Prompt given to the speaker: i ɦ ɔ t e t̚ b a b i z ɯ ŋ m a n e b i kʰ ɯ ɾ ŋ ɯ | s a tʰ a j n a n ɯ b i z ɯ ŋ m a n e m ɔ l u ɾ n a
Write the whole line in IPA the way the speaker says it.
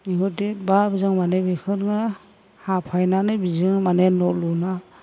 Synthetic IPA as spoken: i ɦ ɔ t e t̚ b a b i z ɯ ŋ m a n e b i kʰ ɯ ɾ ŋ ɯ | h a pʰ a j n a n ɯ b i z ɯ ŋ m a n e n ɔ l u n a